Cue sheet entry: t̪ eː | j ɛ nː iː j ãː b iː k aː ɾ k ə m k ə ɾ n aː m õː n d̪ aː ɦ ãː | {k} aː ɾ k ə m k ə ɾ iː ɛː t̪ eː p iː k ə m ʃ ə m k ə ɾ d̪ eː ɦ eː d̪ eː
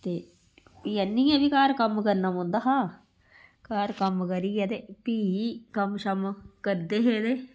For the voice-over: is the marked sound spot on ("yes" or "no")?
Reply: yes